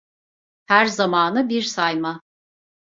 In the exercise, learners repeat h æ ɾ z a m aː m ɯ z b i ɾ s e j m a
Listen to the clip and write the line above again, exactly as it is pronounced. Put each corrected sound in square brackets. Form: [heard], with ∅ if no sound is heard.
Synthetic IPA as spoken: h æ ɾ z a m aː [n] ɯ [∅] b i ɾ s [a] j m a